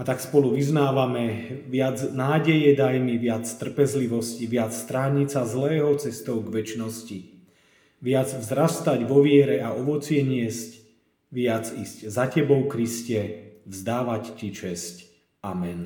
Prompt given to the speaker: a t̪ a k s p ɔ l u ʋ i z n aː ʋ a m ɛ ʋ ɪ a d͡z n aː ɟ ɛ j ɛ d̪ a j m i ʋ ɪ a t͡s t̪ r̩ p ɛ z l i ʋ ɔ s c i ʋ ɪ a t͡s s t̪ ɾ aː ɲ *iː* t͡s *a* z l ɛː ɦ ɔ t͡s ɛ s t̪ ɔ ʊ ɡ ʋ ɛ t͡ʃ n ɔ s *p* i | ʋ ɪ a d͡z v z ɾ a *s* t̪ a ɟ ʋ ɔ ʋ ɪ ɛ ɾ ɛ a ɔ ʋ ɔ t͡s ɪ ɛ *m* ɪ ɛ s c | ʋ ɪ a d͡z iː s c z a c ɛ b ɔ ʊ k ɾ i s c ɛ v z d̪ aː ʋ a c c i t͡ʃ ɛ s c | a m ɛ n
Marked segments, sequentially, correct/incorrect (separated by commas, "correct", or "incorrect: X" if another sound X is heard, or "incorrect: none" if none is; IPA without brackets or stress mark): incorrect: i, correct, incorrect: c, correct, incorrect: ɲ